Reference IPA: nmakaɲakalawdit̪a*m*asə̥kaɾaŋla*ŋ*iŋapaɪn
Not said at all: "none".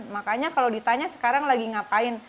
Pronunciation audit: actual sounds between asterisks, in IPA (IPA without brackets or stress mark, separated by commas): ɲ, ɡ